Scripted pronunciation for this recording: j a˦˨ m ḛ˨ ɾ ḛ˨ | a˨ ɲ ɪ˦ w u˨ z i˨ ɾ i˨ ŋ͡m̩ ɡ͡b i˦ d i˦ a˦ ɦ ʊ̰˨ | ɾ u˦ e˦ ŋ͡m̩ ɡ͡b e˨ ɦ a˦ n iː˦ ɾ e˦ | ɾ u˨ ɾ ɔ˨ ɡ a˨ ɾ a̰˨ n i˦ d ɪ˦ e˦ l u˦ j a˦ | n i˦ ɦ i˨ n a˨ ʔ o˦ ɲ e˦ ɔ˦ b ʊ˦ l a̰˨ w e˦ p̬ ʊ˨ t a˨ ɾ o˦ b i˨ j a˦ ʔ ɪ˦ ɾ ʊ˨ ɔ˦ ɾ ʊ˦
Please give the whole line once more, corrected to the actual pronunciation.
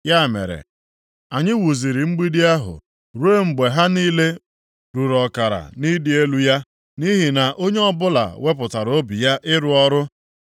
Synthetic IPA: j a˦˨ m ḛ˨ ɾ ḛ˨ | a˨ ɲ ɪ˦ w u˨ z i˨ ɾ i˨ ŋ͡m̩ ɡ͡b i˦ d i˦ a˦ ɦ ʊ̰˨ | ɾ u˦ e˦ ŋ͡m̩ ɡ͡b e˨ ɦ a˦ n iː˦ l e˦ | ɾ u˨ ɾ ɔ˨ k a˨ ɾ a̰˨ n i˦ d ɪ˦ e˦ l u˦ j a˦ | n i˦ ɦ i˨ n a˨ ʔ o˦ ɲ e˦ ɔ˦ b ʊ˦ l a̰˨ w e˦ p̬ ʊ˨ t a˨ ɾ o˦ b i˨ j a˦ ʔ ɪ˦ ɾ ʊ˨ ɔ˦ ɾ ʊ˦